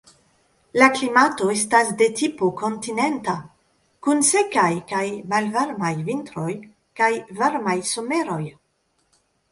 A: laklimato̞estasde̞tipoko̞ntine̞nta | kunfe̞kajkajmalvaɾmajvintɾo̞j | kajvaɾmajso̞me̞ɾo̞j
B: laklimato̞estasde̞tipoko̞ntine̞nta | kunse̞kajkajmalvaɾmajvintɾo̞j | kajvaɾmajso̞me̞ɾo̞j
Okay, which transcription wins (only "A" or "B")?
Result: B